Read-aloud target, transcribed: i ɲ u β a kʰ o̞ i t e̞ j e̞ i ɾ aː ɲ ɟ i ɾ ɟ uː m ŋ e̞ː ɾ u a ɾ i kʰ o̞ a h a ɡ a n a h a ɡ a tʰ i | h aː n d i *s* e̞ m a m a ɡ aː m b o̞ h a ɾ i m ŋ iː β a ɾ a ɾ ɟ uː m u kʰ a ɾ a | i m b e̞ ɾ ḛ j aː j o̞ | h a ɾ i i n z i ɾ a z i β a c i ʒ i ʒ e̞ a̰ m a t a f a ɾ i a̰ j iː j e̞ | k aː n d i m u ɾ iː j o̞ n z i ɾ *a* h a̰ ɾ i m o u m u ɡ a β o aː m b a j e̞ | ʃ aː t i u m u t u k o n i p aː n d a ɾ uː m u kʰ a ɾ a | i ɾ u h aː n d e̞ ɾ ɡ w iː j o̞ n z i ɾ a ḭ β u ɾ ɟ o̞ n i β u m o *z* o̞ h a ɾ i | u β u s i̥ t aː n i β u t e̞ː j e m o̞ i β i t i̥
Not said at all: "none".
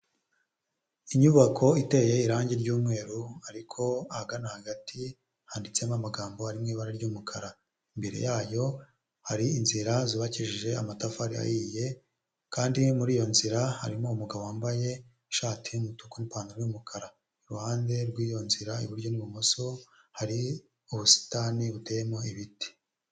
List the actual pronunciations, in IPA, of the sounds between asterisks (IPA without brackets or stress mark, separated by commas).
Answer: t͡s, a, s